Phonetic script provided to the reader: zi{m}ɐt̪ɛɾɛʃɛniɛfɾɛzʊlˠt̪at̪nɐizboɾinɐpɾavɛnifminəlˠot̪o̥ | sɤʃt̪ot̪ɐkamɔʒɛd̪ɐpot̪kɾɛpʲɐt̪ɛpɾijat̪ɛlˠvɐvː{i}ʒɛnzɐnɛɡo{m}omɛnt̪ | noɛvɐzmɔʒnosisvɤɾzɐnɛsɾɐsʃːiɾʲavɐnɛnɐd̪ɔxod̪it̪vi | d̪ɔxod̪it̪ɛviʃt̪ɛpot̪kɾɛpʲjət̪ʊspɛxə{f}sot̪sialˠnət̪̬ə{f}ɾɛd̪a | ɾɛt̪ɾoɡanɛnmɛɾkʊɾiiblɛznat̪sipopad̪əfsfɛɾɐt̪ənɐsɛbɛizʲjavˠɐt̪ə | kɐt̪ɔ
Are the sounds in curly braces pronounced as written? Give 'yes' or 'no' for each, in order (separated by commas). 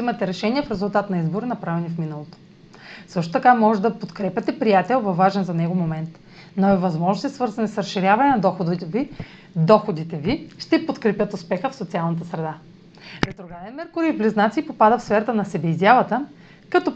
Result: yes, no, yes, yes, no